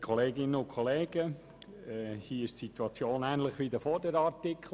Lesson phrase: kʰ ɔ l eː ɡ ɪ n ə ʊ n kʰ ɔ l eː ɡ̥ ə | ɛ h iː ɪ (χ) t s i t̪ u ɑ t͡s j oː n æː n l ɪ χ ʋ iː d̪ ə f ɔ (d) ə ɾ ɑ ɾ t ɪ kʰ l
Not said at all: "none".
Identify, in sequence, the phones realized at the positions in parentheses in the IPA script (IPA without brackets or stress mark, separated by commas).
ʃ, d